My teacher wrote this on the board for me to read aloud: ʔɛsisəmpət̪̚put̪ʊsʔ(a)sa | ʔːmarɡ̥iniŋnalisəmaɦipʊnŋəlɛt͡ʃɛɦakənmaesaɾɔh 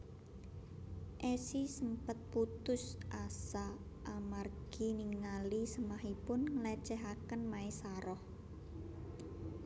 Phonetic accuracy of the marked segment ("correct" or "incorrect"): correct